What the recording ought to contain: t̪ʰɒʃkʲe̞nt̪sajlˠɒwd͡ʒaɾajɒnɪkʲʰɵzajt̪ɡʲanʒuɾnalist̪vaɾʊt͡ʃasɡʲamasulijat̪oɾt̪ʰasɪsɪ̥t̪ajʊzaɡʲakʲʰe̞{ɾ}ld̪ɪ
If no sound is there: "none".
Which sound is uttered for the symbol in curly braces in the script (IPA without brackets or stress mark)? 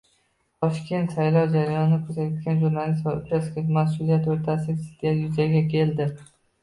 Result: none